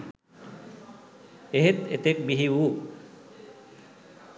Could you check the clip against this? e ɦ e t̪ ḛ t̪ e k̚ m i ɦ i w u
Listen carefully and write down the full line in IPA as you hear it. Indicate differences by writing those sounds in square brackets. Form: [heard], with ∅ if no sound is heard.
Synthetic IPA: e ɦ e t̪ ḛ t̪ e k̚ [b] i ɦ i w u